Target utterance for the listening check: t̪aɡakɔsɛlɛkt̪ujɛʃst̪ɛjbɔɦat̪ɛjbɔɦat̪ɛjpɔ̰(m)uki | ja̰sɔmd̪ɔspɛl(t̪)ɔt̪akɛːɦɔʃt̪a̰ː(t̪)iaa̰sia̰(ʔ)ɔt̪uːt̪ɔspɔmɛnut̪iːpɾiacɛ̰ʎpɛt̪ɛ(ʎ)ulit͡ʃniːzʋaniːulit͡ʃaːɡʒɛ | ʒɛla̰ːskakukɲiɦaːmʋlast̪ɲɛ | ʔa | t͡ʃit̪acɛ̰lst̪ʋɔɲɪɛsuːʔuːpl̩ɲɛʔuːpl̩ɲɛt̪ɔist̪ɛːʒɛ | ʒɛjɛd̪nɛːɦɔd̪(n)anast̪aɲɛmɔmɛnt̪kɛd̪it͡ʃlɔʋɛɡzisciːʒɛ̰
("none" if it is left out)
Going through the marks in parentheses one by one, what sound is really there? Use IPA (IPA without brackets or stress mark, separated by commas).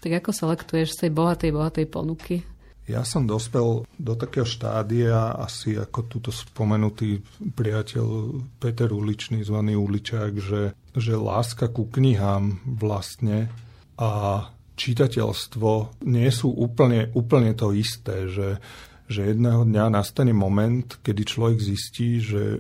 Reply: n, d̪, d̪, k, ɾ, ɲ